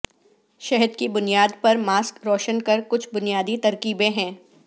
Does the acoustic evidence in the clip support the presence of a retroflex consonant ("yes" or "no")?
no